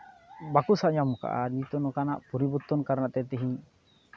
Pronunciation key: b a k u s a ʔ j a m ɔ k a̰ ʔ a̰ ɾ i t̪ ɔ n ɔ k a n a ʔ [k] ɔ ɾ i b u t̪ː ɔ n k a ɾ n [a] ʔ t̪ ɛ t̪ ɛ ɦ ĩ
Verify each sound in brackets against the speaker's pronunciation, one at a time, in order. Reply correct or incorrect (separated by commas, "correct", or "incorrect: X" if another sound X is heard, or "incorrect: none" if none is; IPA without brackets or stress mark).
incorrect: p, correct